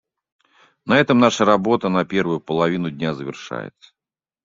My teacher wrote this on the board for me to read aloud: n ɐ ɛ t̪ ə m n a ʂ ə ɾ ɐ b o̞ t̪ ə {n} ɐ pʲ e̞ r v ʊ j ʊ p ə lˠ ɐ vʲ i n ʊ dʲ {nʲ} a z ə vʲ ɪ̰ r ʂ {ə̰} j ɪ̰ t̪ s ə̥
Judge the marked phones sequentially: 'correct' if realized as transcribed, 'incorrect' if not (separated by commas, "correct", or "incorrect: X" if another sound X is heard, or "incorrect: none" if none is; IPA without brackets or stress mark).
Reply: correct, correct, incorrect: a̰